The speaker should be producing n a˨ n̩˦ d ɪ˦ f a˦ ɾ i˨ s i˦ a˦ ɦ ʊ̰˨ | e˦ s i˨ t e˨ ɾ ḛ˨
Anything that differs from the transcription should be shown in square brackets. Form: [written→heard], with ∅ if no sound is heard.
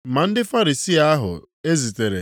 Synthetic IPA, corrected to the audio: [n→m] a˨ n̩˦ d ɪ˦ f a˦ ɾ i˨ s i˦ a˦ ɦ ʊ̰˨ | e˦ [s→z] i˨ t e˨ ɾ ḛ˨